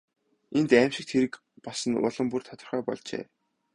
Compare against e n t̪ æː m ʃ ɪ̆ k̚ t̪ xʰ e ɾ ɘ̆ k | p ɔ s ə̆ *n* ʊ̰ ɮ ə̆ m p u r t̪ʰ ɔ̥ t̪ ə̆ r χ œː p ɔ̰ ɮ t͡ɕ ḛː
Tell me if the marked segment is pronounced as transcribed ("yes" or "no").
yes